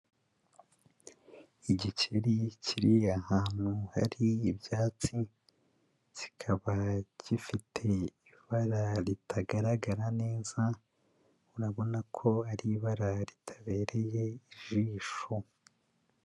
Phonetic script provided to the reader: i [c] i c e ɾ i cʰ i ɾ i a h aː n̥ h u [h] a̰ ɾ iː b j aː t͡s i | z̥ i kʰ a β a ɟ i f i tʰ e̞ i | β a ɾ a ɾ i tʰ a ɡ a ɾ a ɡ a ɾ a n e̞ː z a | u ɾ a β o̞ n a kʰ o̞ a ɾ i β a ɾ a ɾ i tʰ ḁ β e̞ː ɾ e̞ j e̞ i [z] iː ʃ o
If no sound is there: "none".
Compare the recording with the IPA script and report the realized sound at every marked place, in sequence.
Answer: ɟ, h, ʒ

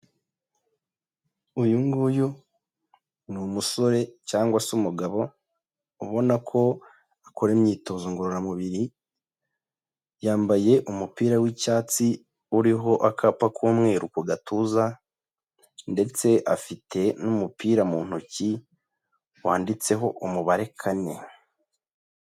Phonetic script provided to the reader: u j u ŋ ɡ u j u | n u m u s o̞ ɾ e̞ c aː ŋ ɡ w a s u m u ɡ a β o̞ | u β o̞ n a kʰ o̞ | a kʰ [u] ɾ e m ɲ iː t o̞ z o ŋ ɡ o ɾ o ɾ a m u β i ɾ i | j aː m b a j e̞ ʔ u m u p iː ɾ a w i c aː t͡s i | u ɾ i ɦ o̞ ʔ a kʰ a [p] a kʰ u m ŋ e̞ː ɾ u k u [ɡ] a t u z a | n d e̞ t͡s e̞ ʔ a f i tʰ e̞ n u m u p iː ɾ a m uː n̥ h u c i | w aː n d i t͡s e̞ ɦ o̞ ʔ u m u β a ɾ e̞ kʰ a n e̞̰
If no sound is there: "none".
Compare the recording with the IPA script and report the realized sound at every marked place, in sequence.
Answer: o, p, ɡ

